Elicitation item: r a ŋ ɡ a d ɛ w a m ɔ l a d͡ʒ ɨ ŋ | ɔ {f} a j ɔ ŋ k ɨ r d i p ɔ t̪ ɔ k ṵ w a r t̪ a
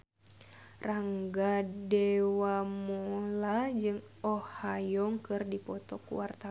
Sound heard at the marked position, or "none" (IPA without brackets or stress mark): h